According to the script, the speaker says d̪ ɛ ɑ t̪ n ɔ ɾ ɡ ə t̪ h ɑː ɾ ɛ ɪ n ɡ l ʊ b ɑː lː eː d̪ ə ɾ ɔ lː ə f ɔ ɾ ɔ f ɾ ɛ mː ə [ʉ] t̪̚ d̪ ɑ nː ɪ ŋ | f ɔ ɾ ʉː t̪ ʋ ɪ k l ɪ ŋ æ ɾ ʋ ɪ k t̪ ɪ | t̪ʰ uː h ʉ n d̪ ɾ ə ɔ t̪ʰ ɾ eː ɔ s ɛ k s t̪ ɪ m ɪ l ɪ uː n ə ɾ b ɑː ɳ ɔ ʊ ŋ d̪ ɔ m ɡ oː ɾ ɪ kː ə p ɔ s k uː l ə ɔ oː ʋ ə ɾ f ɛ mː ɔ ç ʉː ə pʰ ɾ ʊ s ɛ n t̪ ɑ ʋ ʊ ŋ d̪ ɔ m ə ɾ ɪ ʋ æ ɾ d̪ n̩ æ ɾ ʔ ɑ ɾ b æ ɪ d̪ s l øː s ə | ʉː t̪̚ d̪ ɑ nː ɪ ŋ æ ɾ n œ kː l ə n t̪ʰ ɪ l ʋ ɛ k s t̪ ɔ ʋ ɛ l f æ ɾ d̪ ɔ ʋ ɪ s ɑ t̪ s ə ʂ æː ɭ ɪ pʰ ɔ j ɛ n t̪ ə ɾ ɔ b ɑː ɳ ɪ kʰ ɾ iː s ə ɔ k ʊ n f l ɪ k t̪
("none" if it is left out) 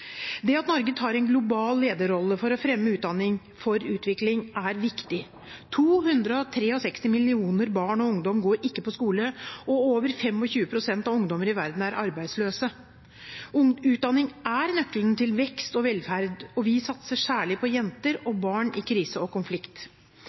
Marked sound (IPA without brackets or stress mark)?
ʉː